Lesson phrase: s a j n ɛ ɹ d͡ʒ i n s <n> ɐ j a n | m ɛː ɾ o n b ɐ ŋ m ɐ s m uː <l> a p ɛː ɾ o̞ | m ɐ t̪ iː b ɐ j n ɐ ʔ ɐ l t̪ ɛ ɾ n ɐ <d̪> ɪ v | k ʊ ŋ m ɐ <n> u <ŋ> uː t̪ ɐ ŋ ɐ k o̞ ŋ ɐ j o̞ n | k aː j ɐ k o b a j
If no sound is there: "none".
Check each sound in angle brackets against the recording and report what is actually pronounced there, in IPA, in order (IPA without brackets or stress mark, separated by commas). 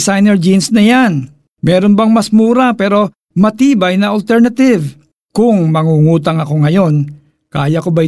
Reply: n, ɾ, t̪, ŋ, ŋ